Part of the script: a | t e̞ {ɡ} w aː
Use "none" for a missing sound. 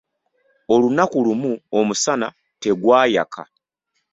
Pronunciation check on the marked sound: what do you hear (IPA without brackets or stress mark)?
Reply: ɡ